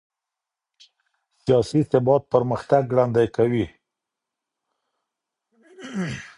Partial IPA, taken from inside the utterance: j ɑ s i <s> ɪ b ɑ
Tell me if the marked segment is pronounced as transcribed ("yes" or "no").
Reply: yes